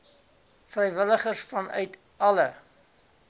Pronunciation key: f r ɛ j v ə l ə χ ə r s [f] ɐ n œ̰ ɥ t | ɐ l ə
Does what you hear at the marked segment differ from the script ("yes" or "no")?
no